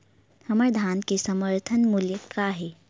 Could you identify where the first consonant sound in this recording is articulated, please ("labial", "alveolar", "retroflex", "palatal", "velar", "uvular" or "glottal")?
glottal